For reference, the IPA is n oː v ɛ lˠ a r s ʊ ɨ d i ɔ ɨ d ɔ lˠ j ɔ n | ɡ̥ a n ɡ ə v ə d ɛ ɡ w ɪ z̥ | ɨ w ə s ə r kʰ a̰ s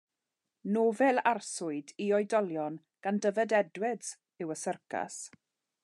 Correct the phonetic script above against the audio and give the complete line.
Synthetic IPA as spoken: n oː v ɛ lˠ a r s ʊ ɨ d i ɔ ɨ d ɔ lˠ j ɔ n | ɡ̥ a n d ə v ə d ɛ d w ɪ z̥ | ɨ w ə s ə r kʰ a̰ s